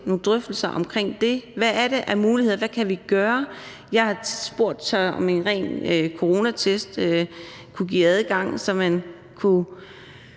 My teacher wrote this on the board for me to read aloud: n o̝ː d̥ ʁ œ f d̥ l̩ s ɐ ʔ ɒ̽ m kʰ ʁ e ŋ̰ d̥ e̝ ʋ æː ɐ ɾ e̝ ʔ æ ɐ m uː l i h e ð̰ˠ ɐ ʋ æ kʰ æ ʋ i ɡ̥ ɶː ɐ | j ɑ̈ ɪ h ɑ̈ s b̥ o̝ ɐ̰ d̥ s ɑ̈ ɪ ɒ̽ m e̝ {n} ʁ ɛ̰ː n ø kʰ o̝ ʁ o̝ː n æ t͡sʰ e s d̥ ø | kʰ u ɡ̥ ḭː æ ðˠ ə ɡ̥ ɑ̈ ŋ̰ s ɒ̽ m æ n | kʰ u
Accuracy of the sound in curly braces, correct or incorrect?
correct